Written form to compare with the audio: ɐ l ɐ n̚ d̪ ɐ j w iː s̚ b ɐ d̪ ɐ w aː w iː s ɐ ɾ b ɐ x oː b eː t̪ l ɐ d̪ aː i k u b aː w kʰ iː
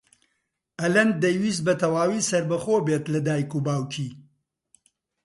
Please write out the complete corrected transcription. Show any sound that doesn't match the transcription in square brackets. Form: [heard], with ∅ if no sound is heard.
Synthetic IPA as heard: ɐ l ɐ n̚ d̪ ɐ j w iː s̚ b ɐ [t̪] ɐ w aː w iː s ɐ ɾ b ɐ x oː b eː t̪ l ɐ d̪ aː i k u b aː w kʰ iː